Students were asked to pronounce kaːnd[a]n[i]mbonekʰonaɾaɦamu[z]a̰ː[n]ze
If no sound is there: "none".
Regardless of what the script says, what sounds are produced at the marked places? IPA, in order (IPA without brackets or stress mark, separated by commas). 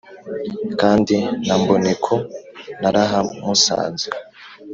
i, a, s, n